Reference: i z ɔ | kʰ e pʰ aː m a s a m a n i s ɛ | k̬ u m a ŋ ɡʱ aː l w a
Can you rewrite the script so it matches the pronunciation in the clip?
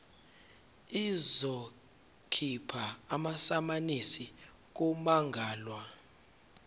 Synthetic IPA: i z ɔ | kʰ i pʰ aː m a s a m a n i s i | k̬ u m a ŋ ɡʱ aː l w a